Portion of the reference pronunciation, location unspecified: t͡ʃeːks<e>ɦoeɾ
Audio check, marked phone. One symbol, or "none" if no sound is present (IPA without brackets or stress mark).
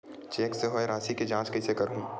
e